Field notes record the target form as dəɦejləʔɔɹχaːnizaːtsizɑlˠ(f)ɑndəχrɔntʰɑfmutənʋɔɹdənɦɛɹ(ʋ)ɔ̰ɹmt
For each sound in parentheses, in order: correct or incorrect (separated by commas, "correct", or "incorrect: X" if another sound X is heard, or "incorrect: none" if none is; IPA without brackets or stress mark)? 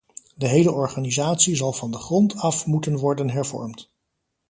incorrect: v, incorrect: v